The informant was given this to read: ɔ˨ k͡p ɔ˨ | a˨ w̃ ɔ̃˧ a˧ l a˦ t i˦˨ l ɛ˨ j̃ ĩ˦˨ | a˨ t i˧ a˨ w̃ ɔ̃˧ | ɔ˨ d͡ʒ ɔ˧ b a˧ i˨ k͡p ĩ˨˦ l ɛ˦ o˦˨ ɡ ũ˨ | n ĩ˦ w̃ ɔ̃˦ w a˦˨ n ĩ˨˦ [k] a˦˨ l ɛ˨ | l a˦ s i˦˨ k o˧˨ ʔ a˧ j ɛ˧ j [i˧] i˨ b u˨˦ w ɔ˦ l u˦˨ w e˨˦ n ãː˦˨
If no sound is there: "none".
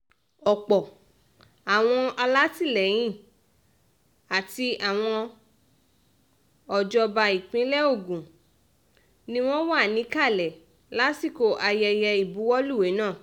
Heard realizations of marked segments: k, ɛ˧

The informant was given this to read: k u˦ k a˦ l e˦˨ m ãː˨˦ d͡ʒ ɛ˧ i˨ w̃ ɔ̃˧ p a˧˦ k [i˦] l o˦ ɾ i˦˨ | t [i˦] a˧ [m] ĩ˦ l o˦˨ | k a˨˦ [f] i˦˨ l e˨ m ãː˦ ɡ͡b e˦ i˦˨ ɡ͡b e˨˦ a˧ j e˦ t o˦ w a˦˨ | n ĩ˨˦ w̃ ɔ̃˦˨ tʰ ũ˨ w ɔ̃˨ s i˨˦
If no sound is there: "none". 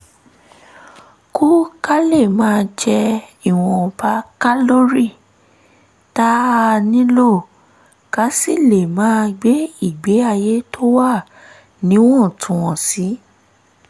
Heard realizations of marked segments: a˦, a˦, n, s

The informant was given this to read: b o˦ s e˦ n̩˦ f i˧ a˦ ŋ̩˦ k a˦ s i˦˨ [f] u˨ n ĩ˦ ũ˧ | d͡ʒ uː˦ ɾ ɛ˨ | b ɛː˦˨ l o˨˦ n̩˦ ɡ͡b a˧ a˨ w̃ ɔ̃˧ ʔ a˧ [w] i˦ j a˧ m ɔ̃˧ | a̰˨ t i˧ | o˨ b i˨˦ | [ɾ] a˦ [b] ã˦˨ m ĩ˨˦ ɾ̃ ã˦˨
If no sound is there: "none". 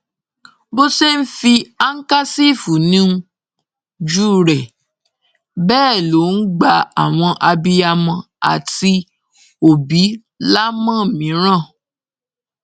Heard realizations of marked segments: f, b, l, m

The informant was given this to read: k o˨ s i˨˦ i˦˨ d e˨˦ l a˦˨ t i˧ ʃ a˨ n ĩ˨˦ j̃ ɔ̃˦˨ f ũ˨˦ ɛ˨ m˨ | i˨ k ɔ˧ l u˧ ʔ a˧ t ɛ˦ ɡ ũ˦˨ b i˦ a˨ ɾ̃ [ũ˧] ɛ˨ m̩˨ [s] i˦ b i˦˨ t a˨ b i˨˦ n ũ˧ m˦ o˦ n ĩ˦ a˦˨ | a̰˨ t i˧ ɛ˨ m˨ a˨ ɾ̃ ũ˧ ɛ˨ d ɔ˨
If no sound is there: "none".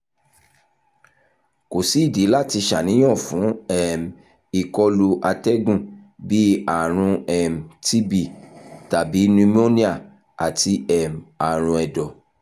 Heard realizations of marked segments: ũ˧, t

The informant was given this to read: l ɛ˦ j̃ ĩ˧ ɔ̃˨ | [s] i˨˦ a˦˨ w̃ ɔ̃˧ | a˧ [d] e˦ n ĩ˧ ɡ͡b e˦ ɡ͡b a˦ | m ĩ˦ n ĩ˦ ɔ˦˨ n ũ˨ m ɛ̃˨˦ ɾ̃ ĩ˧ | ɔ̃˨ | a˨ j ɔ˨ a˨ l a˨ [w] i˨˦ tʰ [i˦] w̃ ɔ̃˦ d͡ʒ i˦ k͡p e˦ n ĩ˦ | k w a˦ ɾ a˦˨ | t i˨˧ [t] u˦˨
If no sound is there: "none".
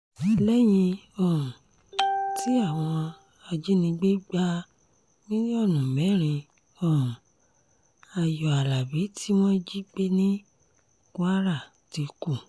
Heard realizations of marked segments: t, d͡ʒ, b, i˦, k

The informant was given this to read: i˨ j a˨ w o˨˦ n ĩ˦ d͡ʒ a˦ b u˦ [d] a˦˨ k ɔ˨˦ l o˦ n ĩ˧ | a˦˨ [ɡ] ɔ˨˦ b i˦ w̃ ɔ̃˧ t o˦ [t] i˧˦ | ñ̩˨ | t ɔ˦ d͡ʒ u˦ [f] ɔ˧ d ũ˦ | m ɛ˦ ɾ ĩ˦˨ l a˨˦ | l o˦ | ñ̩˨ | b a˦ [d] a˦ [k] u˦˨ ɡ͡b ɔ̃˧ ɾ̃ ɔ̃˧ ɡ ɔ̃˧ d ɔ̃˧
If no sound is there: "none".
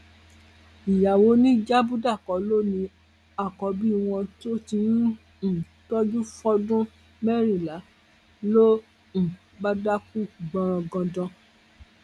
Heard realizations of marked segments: d, k, t, f, d, k

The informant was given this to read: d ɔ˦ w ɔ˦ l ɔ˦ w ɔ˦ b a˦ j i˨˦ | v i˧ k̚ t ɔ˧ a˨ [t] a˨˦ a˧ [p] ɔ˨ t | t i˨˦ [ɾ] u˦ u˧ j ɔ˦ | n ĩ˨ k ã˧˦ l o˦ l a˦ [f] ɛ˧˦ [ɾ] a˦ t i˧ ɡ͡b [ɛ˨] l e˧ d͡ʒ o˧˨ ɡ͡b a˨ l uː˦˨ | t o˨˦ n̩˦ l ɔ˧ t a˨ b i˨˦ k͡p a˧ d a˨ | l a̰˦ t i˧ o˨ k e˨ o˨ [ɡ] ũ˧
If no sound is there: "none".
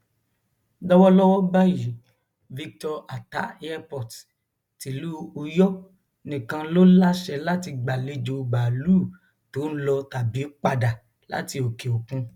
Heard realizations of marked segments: t, p, l, ʃ, l, a˨, k

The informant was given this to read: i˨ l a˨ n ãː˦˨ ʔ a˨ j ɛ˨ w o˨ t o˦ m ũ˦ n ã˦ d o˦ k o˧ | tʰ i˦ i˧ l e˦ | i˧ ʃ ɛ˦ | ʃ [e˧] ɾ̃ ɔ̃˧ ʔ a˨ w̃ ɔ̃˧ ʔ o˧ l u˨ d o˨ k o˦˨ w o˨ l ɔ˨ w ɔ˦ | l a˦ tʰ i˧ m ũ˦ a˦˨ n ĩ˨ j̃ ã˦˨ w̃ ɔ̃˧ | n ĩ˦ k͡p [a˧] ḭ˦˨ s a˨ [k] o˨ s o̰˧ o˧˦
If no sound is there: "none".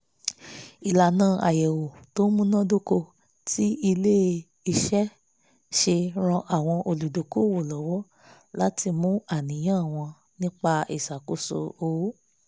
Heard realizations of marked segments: e˧, a˧, k

